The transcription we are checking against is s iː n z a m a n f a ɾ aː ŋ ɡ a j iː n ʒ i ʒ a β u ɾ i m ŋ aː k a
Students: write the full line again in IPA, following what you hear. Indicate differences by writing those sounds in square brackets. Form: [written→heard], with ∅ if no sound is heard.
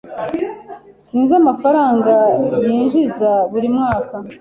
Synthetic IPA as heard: s iː n z a m a [n→∅] f a ɾ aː ŋ ɡ a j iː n ʒ i [ʒ→z] a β u ɾ i m ŋ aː k a